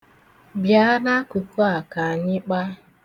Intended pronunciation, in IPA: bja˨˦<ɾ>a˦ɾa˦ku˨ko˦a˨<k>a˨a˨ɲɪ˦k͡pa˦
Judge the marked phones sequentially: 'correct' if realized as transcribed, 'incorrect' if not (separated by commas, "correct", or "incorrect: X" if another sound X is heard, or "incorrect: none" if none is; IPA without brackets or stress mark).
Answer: incorrect: none, correct